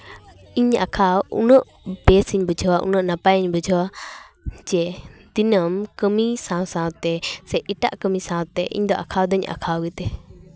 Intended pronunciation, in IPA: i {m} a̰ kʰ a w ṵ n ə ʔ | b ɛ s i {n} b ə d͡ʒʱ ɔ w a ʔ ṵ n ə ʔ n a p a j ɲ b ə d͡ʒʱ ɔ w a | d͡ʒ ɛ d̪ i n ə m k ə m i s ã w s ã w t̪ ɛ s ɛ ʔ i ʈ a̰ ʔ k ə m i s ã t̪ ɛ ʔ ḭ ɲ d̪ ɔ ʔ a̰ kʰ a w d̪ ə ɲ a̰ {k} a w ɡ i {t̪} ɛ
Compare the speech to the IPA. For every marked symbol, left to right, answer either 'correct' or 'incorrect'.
incorrect, incorrect, incorrect, correct

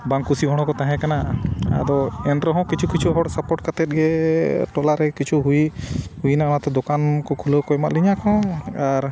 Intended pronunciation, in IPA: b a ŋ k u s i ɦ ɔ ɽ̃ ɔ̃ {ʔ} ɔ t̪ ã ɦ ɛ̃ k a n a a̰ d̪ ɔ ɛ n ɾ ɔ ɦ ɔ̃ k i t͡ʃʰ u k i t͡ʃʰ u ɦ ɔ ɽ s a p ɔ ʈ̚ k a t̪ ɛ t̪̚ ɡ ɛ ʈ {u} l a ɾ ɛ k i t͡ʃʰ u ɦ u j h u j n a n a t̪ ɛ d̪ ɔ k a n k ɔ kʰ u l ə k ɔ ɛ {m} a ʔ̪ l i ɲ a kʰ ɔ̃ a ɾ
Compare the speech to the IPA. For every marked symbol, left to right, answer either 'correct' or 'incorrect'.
incorrect, incorrect, correct

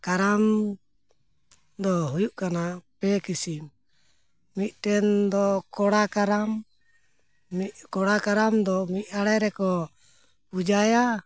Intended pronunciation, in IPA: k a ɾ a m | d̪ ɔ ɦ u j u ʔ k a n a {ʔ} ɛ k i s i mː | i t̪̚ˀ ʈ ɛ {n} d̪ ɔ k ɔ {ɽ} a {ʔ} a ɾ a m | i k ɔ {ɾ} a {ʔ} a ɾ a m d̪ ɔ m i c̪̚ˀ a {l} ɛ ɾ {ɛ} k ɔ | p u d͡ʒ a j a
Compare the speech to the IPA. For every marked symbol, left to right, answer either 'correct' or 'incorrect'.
incorrect, correct, correct, incorrect, incorrect, incorrect, incorrect, correct

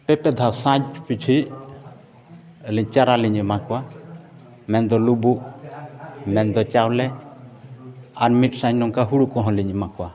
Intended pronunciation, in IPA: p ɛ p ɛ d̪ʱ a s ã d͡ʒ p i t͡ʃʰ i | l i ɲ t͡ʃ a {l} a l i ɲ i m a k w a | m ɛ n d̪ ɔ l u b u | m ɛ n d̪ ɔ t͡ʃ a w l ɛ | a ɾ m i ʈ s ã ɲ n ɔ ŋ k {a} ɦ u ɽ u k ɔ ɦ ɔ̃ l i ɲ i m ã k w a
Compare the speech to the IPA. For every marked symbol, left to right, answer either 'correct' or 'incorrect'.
incorrect, correct

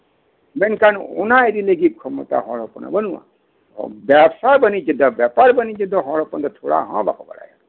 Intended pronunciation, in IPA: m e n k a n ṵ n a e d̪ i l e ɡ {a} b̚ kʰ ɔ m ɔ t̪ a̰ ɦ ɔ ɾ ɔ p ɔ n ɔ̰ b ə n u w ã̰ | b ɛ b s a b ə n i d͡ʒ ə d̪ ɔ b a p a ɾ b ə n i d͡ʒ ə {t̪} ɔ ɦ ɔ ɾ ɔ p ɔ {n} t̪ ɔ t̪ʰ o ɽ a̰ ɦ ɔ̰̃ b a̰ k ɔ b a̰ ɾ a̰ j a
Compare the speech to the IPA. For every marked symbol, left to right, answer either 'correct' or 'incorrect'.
incorrect, incorrect, correct

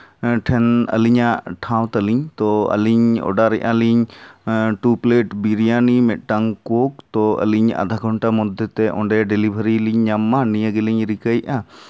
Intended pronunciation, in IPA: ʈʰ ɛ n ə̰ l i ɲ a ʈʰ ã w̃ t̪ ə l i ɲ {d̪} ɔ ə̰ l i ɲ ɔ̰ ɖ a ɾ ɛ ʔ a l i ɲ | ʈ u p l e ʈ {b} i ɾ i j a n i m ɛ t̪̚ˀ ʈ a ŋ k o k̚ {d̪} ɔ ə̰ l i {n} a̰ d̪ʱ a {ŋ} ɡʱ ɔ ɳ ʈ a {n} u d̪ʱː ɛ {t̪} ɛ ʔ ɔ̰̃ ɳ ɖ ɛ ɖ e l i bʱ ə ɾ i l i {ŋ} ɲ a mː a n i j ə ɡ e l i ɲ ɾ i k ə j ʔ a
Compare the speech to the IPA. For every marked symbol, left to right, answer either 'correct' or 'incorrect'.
incorrect, correct, incorrect, incorrect, incorrect, incorrect, correct, incorrect

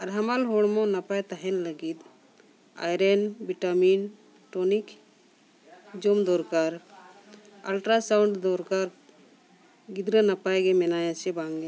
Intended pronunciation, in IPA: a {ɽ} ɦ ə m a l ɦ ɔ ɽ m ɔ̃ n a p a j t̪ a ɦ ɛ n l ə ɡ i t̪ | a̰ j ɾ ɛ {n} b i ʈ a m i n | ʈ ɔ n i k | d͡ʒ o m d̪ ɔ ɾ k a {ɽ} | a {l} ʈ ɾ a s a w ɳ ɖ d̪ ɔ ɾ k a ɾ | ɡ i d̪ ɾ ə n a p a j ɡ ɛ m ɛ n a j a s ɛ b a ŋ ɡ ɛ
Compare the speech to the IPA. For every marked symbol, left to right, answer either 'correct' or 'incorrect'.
incorrect, correct, incorrect, correct

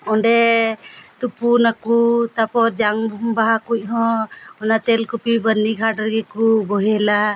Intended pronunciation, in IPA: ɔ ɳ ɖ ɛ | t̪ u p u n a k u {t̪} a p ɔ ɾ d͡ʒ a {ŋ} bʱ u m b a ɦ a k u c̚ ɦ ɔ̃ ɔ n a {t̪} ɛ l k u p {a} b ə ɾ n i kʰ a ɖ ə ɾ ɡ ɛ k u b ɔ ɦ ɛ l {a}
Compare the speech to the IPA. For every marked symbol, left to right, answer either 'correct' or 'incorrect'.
correct, correct, correct, incorrect, correct

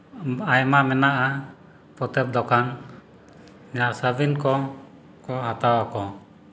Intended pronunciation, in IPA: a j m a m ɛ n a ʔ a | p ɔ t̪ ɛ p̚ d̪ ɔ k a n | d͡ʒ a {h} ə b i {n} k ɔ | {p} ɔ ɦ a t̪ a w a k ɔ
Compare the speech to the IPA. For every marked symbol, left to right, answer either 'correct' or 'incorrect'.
incorrect, correct, incorrect

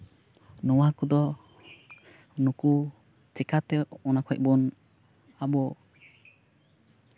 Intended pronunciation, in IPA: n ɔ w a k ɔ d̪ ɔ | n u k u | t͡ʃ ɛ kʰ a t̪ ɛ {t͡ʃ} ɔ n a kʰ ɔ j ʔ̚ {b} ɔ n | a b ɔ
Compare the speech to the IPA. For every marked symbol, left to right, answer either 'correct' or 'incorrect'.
incorrect, correct

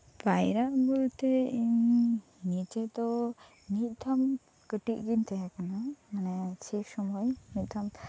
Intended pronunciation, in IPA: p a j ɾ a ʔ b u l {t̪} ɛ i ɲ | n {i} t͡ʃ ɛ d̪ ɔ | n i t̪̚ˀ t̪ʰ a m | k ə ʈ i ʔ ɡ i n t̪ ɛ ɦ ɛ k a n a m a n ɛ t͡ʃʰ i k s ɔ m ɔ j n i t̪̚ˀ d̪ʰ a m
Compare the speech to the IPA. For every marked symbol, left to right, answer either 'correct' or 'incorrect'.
correct, correct

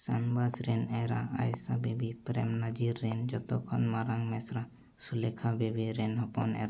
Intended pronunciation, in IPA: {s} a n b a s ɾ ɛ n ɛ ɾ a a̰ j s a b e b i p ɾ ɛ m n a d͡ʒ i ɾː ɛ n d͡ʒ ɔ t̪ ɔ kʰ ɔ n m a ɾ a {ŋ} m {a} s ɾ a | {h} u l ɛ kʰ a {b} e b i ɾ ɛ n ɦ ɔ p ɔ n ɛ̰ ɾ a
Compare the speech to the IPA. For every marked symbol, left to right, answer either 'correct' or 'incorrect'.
correct, correct, incorrect, incorrect, correct

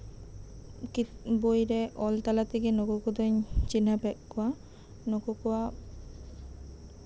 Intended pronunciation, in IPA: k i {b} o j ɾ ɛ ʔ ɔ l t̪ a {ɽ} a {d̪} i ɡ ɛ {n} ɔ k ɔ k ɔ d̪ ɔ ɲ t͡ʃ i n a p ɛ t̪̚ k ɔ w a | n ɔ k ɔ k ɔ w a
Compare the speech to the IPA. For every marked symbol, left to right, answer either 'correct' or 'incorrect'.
correct, incorrect, incorrect, correct

